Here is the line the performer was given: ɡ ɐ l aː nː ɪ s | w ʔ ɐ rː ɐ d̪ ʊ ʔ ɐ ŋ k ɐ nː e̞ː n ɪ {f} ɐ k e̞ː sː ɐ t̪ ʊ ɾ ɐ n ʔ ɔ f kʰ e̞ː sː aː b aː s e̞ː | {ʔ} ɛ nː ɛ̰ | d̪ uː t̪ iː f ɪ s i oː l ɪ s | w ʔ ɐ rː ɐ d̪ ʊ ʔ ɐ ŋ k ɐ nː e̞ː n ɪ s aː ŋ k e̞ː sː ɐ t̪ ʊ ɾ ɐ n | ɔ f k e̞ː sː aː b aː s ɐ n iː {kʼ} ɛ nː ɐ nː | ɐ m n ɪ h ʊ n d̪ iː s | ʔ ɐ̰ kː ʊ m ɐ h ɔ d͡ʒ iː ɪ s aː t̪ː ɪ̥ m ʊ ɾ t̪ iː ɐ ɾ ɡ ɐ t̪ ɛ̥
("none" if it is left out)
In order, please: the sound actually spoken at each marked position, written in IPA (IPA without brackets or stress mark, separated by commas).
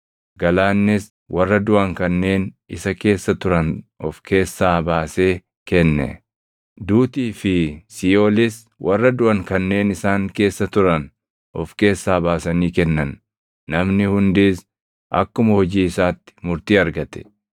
s, k, k